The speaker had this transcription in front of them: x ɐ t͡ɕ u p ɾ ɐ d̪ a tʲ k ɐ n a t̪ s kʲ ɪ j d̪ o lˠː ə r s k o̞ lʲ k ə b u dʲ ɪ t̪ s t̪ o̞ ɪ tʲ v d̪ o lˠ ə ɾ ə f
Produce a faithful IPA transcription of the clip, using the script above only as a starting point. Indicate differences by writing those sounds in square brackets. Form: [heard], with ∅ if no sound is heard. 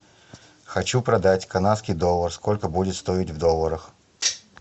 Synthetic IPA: x ɐ t͡ɕ u p ɾ ɐ d̪ a tʲ k ɐ n a t̪ s kʲ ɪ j d̪ o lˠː ə r s k o̞ lʲ k ə b u dʲ ɪ t̪ s t̪ o̞ ɪ tʲ v d̪ o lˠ ə ɾ ə [x]